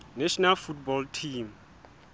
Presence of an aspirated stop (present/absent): present